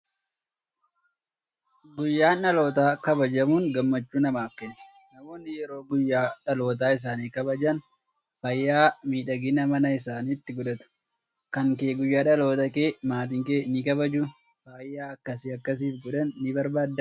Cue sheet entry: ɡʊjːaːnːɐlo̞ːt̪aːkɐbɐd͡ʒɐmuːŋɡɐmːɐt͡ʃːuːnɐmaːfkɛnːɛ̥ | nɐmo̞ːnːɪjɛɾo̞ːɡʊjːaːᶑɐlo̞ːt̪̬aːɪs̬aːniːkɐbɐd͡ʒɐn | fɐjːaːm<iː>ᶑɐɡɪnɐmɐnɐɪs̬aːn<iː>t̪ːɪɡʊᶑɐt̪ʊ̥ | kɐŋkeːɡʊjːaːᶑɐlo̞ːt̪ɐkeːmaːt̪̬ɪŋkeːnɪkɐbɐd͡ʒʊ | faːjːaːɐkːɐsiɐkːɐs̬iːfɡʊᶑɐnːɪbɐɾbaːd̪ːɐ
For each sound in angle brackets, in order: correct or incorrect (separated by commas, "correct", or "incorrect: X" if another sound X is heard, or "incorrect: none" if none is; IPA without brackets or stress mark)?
correct, correct